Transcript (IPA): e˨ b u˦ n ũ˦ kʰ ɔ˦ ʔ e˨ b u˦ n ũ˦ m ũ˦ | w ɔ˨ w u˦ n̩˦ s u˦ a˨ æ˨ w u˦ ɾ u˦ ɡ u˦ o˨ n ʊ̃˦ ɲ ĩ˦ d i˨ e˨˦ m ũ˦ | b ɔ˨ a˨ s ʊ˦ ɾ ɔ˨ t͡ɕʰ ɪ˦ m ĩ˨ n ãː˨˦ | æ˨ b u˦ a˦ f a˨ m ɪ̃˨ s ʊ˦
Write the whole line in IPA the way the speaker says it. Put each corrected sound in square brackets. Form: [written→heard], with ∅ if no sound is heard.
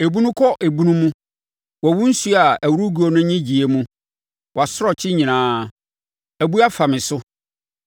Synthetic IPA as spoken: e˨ b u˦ n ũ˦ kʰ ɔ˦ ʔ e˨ b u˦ n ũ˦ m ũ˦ | w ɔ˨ w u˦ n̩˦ s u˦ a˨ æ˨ w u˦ ɾ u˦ ɡ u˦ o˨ n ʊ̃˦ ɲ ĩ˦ [d→d͡ʑ] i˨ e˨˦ m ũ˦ | [b→w] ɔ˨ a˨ s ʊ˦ ɾ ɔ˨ t͡ɕʰ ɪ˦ [m→ɲ] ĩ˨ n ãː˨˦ | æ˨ b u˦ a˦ f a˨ m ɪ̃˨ s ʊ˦

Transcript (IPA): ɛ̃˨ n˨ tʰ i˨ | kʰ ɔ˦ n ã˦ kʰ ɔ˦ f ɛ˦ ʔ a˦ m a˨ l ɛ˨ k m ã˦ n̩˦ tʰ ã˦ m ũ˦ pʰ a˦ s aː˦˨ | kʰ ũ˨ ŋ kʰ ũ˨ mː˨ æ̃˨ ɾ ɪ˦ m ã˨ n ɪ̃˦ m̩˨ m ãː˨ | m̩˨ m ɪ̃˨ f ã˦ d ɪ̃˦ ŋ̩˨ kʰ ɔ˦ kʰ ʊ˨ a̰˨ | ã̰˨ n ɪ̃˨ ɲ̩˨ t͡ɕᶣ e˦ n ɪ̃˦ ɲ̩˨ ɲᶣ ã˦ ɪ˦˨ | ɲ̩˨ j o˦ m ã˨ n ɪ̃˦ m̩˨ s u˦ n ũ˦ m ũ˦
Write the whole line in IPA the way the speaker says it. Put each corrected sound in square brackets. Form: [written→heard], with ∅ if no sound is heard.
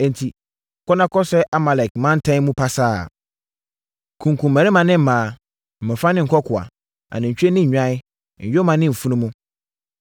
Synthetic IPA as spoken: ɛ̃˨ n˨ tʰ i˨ | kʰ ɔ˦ n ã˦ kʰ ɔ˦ [f→s] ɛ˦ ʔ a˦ m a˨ l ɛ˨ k m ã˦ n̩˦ tʰ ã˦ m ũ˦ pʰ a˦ s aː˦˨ | kʰ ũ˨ ŋ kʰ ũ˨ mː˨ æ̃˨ ɾ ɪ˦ m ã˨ n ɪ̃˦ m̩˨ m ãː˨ | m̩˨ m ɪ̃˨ f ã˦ [d→n] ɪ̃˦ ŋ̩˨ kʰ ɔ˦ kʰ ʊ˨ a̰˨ | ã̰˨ n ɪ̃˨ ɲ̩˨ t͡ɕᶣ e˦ n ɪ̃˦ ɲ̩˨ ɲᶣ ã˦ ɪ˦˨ | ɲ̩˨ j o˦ m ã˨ n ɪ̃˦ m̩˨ [s→f] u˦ n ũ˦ m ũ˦

